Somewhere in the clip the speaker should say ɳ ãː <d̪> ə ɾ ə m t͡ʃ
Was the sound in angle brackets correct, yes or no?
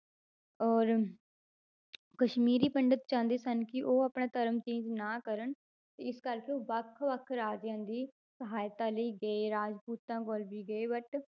no